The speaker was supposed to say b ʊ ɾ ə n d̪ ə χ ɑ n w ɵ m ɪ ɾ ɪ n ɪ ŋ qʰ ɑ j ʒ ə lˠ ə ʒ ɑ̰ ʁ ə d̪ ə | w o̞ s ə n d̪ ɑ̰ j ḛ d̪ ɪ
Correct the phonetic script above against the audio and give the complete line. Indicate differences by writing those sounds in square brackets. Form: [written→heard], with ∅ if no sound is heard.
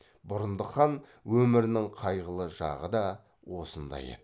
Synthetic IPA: b ʊ ɾ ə n d̪ ə χ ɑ n w ɵ m ɪ ɾ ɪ n ɪ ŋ qʰ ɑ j [ʒ→ʁ] ə lˠ ə ʒ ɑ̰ ʁ ə d̪ [ə→ɑ] | w o̞ s ə n d̪ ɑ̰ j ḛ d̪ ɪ